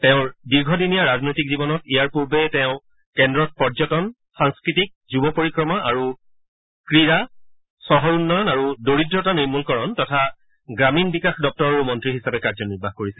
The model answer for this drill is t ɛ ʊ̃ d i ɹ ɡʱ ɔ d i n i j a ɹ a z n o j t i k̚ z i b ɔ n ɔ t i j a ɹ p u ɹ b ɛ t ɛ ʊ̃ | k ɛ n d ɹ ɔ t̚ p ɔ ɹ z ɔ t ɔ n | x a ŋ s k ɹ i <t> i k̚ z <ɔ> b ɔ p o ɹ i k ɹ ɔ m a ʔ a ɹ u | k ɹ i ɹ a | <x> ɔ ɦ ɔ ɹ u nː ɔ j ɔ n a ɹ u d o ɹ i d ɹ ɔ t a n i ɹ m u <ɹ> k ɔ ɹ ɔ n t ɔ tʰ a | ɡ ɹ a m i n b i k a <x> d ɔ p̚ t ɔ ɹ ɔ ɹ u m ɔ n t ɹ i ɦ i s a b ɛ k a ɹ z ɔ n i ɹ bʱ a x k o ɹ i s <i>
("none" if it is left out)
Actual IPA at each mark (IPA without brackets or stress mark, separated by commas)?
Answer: t, u, s, l, x, ɛ